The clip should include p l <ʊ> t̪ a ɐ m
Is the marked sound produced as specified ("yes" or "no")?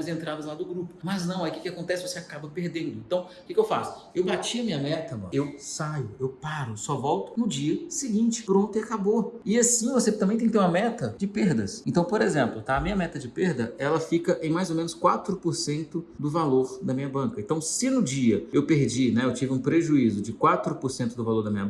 yes